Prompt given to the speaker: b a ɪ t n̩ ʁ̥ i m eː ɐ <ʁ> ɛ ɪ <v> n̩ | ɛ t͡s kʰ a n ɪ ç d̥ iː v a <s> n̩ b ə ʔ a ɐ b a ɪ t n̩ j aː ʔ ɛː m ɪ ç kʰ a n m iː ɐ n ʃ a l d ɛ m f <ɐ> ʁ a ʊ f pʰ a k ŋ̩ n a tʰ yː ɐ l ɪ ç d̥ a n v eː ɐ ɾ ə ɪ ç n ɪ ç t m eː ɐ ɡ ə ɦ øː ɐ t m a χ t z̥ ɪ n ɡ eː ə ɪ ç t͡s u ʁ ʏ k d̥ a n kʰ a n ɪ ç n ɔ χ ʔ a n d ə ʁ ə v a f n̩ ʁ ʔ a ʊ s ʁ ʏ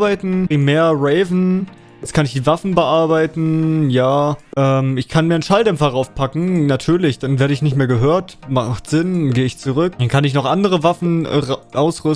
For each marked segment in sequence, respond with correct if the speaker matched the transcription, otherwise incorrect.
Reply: correct, correct, incorrect: f, correct

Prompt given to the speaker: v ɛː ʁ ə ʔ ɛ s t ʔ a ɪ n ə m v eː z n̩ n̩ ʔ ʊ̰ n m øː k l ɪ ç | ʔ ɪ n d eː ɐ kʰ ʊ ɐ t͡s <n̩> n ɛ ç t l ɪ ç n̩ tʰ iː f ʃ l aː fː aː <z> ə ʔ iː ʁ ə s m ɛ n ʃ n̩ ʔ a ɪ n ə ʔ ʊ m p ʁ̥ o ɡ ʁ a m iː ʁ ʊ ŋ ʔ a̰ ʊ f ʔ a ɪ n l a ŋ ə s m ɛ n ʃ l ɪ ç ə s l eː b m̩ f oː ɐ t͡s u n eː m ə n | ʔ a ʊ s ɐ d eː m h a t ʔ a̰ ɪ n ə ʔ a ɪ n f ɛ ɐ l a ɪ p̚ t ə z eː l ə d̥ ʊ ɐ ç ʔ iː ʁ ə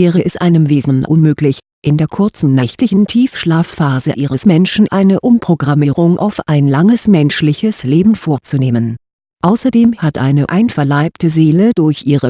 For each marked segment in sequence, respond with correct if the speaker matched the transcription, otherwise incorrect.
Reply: correct, correct

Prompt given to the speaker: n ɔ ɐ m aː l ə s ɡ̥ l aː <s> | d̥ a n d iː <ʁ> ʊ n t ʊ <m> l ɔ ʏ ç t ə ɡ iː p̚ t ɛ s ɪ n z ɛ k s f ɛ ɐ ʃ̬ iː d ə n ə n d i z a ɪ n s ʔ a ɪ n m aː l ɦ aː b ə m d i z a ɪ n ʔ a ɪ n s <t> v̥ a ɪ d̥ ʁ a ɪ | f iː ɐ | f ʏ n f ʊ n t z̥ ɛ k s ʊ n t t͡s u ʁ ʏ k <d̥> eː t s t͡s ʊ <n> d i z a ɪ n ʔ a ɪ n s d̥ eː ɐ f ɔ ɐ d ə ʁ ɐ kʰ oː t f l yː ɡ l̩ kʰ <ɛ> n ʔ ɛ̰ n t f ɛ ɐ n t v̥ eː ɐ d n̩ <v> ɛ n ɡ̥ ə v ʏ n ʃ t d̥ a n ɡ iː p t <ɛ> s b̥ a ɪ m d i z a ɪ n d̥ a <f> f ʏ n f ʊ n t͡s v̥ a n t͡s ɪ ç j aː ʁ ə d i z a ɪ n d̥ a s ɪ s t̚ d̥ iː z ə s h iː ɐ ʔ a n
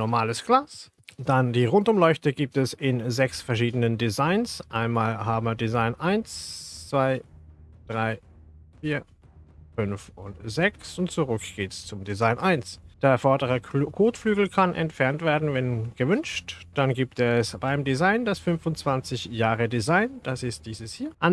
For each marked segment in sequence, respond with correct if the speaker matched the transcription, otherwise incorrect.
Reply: correct, correct, correct, incorrect: t͡s, incorrect: ɡ̥, incorrect: m, incorrect: a, correct, correct, incorrect: s

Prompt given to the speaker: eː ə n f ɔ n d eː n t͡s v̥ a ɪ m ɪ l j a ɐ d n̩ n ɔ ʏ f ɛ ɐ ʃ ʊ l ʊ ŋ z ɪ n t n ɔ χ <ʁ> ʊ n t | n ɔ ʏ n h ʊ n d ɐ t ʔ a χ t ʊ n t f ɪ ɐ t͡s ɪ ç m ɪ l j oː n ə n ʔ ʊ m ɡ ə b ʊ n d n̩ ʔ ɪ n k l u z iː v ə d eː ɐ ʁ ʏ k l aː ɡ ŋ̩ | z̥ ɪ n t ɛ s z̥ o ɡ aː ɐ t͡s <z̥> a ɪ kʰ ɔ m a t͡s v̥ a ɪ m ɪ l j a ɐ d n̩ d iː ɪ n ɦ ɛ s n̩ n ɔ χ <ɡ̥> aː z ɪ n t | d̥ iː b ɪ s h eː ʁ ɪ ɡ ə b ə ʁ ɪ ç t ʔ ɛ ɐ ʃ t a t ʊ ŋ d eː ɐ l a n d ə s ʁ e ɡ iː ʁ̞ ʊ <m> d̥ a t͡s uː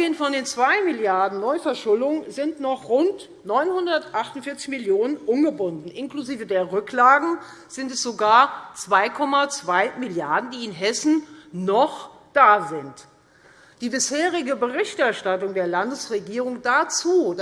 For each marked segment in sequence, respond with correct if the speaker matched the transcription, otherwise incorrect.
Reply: correct, incorrect: v̥, incorrect: d̥, incorrect: ŋ

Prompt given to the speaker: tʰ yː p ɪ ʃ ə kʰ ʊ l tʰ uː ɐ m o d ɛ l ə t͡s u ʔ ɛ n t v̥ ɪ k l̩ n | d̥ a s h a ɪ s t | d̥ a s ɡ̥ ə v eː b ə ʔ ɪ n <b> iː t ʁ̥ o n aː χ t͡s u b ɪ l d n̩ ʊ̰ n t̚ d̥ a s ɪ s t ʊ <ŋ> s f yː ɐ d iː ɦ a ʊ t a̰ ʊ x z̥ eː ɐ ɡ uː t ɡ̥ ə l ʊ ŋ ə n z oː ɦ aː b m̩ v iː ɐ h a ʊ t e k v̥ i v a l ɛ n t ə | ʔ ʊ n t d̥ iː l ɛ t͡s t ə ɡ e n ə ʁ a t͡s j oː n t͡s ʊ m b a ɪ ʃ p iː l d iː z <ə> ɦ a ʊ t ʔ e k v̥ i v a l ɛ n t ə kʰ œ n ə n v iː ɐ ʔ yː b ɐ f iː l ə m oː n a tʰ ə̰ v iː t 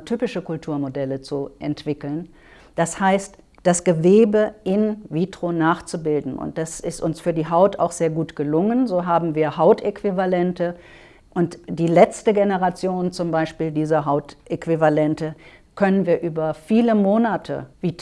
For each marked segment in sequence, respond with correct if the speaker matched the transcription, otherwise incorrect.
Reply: incorrect: v, incorrect: n, incorrect: ɐ

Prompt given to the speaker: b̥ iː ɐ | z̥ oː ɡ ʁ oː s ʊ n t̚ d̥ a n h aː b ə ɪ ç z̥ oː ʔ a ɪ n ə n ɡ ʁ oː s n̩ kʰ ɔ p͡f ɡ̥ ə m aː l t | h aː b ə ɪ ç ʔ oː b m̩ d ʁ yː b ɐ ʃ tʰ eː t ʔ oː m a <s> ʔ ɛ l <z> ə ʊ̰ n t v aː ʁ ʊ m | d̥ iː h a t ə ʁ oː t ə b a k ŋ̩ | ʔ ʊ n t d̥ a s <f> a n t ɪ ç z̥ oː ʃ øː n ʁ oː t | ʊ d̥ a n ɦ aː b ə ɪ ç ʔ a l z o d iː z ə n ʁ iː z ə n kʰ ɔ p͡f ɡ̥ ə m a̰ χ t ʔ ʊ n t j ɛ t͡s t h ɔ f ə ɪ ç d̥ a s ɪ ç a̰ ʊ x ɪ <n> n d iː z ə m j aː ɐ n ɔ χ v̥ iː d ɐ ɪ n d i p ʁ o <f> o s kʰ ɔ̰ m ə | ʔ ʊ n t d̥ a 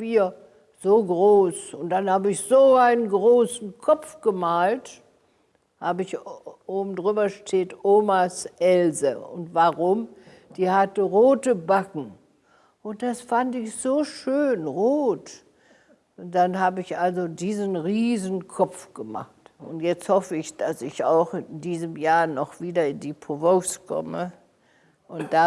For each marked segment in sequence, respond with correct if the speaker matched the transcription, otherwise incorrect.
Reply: correct, correct, correct, correct, incorrect: v

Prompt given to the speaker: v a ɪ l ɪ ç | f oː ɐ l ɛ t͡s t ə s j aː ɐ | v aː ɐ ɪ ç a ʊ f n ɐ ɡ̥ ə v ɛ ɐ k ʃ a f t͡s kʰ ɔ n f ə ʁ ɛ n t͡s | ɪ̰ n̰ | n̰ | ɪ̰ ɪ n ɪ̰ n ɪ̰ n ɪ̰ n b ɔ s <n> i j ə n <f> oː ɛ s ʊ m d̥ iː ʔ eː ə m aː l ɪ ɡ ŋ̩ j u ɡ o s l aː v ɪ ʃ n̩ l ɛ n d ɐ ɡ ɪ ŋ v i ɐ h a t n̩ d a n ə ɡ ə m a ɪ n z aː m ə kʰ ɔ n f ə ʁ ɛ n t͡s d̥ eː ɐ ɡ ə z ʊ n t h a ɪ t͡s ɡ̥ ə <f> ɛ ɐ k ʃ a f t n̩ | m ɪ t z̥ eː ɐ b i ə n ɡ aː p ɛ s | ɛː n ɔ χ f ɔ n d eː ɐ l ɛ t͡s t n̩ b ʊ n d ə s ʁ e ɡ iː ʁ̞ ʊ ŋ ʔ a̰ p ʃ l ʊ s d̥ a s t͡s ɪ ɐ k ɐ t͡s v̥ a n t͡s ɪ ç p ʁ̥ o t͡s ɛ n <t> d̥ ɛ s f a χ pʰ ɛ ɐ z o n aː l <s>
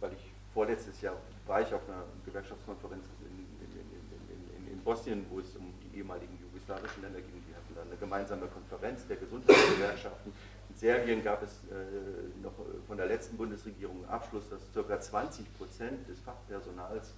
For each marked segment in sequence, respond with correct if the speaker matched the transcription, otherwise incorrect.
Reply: correct, incorrect: v, incorrect: v, correct, correct

